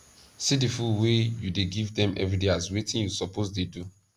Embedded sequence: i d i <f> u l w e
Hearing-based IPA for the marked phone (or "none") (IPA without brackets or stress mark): f